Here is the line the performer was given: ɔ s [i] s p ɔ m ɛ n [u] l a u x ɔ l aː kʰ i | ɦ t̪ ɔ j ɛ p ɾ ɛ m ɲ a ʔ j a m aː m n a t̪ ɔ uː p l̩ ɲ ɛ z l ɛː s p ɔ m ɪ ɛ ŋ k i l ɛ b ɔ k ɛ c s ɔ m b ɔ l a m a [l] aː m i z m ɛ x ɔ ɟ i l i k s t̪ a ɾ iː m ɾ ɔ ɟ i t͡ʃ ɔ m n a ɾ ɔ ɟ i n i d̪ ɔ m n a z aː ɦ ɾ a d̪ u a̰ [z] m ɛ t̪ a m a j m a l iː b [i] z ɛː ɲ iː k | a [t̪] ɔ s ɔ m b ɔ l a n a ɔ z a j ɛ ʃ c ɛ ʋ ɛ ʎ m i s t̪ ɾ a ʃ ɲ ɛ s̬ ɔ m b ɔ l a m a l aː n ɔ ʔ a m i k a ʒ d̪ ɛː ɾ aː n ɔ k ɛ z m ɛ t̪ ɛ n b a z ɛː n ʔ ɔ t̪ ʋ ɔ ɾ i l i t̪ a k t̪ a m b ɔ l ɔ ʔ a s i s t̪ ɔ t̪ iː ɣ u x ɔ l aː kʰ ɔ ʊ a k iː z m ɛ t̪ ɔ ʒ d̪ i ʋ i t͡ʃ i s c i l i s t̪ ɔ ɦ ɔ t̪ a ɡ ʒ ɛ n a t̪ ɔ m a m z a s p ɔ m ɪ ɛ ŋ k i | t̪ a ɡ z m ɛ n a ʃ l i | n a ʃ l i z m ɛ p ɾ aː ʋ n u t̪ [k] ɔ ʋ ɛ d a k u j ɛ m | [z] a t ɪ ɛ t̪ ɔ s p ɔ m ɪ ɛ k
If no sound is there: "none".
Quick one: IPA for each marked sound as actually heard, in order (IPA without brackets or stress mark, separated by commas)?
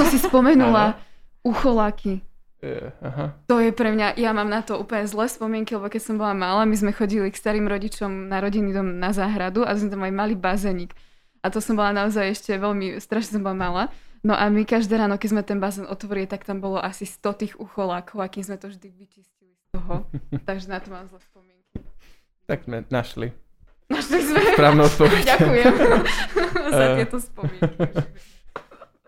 i, u, l, z, a, t̪, p, z